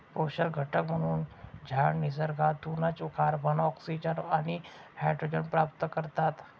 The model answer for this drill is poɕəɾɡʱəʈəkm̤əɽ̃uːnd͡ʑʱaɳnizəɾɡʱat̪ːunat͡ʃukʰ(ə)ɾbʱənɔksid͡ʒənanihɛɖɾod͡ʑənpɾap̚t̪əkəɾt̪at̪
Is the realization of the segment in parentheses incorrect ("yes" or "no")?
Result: yes